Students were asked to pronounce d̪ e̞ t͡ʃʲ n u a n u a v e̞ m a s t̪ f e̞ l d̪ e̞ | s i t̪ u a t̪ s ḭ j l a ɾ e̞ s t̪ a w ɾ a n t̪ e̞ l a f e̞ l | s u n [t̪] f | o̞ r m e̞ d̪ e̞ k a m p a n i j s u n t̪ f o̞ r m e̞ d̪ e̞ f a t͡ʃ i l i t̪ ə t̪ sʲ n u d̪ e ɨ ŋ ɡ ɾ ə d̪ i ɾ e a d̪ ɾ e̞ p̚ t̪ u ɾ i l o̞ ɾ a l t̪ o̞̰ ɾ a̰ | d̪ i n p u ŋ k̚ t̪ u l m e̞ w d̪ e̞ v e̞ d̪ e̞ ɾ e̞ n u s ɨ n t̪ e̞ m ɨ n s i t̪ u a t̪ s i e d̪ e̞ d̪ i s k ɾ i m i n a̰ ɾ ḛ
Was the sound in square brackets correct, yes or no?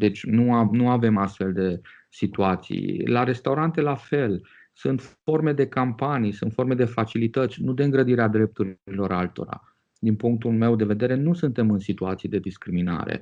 yes